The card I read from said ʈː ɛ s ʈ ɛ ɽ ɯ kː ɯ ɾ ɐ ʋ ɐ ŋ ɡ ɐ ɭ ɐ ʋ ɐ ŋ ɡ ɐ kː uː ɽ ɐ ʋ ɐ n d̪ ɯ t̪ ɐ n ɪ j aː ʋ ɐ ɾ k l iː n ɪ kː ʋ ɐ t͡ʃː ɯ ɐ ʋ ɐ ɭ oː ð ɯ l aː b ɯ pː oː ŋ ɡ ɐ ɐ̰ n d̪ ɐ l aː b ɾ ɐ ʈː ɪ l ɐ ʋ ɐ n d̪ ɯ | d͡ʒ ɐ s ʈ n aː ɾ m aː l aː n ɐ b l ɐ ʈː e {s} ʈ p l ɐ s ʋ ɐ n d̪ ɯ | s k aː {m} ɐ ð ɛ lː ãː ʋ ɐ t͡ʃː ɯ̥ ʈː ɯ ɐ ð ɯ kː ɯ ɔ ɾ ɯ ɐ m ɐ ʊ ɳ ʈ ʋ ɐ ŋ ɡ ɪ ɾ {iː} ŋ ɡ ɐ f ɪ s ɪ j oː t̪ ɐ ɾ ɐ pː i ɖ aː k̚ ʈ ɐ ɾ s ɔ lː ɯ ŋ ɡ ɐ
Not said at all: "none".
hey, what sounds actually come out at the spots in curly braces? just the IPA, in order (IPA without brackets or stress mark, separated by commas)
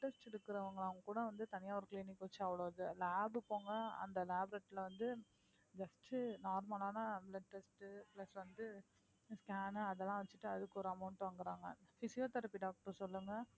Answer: s, n, aː